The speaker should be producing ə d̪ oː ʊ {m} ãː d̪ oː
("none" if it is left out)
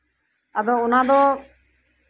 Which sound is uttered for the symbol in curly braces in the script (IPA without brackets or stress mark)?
n